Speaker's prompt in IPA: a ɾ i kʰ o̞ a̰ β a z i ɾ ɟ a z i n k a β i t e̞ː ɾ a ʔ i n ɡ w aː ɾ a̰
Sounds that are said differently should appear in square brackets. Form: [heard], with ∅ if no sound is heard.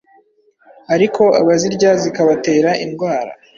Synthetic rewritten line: a ɾ i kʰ o̞ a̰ β a z i ɾ ɟ a z i [∅] k a β [a] t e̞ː ɾ a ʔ i n ɡ w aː ɾ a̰